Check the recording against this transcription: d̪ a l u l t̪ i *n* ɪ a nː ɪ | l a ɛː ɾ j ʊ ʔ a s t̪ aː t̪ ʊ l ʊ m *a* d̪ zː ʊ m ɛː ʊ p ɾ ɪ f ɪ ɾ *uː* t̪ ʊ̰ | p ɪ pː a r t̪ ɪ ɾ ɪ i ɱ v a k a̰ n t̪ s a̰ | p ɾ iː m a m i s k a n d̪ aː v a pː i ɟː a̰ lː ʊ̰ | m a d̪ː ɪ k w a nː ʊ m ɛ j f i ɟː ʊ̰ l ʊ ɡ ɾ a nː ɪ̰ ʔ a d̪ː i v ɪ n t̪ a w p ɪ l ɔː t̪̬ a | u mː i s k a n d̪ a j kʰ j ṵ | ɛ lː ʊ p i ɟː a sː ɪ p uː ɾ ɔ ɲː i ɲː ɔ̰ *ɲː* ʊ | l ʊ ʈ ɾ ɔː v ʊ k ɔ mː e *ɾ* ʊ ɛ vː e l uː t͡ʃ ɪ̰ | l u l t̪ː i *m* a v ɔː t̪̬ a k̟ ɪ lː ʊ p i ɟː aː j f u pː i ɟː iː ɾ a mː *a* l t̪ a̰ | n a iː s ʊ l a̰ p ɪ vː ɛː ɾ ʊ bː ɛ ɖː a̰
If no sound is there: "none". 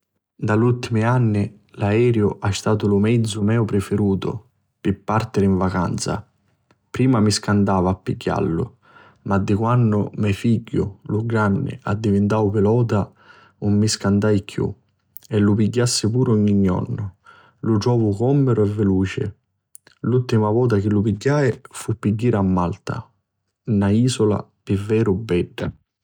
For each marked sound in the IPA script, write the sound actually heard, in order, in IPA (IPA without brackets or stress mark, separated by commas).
m, ɛ, uː, nː, ɾ, m, a